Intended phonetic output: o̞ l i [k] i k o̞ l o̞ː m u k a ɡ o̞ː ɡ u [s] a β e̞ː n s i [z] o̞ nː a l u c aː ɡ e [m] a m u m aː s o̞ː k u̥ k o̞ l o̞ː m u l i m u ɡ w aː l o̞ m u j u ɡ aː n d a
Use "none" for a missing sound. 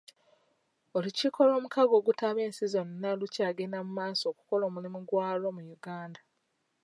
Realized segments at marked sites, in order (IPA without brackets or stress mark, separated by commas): c, t, z, n